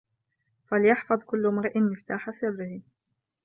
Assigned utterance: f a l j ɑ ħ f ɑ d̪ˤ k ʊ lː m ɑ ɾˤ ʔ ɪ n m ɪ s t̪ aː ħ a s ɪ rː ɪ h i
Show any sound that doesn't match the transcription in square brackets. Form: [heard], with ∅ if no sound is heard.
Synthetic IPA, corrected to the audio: f a l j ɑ ħ f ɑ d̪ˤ k ʊ lː m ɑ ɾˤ ʔ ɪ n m ɪ [f] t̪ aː ħ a s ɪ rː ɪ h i